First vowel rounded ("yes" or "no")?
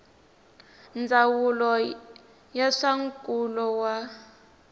no